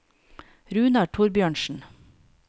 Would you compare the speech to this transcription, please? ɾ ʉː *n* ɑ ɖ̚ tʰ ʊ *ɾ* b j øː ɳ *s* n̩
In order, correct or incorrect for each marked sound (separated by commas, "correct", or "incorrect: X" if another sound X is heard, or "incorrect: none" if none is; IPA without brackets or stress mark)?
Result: correct, correct, incorrect: ʃ